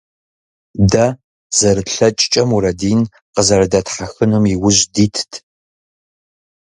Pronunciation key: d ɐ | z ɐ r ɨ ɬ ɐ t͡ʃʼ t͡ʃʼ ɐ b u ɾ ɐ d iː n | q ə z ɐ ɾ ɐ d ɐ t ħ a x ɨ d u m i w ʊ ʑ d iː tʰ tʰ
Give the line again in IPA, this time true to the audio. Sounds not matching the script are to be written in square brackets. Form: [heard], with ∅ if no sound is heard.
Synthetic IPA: d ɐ | z ɐ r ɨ ɬ ɐ t͡ʃʼ t͡ʃʼ ɐ [m] u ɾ ɐ d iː n | q ə z ɐ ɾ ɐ d ɐ t ħ a x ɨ [n] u m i w ʊ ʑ d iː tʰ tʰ